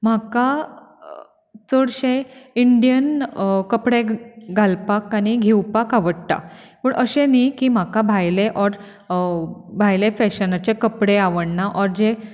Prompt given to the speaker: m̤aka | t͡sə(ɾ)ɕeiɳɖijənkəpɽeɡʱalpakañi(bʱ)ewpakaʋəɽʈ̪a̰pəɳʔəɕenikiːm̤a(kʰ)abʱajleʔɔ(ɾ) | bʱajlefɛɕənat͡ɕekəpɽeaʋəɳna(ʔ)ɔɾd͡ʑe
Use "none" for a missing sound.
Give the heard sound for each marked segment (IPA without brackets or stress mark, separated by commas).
ɽ, ɡʱ, k, ɾ, ʔ